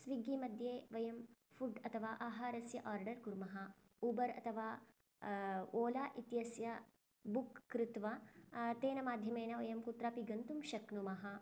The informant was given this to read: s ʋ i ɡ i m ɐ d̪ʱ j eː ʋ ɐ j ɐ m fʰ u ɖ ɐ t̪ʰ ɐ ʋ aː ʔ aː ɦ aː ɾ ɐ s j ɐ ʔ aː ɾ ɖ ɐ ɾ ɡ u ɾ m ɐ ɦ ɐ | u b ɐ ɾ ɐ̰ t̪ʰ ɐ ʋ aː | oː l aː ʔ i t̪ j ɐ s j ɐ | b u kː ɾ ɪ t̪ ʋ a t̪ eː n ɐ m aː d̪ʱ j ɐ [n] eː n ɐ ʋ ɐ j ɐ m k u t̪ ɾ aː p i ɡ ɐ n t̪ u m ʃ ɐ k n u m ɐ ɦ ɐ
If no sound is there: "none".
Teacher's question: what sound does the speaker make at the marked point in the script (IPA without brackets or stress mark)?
m